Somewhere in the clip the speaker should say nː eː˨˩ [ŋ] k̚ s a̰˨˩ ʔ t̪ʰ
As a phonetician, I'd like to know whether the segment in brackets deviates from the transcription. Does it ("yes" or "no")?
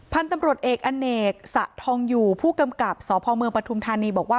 yes